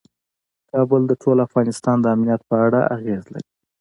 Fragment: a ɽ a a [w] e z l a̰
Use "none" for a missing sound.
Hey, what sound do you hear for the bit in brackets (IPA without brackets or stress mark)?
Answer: ɣ